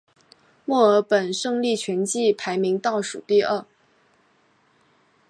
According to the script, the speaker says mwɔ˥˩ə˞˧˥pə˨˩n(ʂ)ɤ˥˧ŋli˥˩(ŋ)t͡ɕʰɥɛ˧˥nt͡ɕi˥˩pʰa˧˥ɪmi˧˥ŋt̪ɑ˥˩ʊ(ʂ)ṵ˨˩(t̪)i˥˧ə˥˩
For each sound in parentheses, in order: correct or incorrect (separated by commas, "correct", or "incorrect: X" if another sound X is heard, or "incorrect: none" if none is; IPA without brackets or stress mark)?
correct, incorrect: none, correct, correct